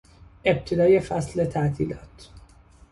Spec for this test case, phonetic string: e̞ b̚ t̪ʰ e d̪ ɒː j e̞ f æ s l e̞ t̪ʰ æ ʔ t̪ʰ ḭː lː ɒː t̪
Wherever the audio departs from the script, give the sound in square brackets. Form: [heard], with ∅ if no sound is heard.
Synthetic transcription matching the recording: e̞ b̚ t̪ʰ e d̪ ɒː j e̞ f æ s l e̞ t̪ʰ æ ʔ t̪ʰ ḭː [l] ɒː t̪